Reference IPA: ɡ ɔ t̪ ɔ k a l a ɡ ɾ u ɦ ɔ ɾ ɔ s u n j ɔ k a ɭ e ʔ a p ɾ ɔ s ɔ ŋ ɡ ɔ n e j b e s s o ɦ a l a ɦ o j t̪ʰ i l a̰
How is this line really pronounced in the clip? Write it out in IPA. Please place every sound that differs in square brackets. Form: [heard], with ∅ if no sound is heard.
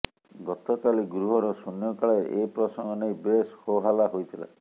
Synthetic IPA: ɡ ɔ t̪ ɔ k a l [i] ɡ ɾ u ɦ ɔ ɾ ɔ s u n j ɔ k a ɭ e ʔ [e] p ɾ ɔ s ɔ ŋ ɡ ɔ n e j b e s [h] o ɦ a l a ɦ o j t̪ʰ i l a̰